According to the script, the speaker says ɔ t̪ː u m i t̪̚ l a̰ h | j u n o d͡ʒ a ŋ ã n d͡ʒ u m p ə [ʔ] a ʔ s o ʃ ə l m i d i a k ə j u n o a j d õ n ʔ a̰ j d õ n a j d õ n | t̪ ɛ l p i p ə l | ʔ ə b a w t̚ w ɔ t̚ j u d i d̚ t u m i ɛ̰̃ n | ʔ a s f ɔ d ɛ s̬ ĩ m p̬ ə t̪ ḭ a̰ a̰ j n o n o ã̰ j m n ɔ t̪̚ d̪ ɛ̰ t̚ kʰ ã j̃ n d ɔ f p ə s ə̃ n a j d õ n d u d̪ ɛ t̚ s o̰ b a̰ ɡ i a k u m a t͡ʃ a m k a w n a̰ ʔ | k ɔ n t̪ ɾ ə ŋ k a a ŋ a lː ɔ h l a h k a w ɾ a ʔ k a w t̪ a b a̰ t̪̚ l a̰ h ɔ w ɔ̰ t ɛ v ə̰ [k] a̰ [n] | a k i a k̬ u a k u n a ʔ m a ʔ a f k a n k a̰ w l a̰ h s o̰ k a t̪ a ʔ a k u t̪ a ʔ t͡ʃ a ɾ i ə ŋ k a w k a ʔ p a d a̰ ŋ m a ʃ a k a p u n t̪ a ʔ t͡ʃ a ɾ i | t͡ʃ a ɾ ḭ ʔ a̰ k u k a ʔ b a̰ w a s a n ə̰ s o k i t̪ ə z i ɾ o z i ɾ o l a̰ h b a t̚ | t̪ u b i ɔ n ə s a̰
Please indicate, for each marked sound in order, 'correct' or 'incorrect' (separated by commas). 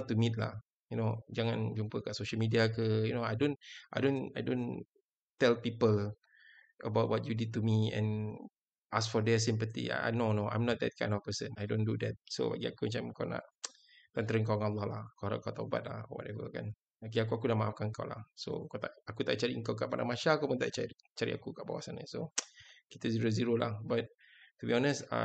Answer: incorrect, correct, correct